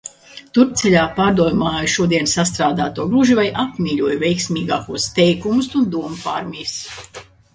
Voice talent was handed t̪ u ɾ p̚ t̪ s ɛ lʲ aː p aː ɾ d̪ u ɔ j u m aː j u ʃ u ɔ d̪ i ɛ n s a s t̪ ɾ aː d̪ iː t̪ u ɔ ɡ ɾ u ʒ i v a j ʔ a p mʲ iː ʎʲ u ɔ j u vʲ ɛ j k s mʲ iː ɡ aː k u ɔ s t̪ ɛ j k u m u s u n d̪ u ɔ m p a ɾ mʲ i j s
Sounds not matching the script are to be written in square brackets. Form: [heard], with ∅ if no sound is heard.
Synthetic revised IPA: t̪ u ɾ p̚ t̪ s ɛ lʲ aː p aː ɾ d̪ u ɔ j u m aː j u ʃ u ɔ d̪ i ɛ n s a s t̪ ɾ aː d̪ [aː] t̪ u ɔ ɡ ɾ u ʒ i v a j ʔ a p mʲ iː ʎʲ u ɔ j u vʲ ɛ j k s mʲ iː ɡ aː k u ɔ s t̪ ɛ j k u m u s u n d̪ u ɔ m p a ɾ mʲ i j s